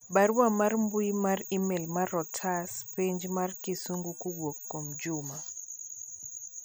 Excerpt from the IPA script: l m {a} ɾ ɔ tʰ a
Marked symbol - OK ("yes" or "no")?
yes